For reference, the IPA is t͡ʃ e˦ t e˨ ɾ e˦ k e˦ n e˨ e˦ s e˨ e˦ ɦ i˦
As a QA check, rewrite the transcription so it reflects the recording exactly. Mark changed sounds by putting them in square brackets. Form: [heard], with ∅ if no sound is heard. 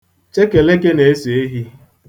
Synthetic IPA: t͡ʃ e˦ [k] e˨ [l] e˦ k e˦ n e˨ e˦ s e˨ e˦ ɦ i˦